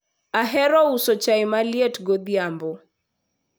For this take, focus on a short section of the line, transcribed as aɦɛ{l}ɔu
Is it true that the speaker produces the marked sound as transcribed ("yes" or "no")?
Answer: no